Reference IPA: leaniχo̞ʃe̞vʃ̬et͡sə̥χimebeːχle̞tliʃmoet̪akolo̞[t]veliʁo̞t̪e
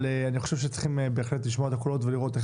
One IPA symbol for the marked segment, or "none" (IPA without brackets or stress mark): t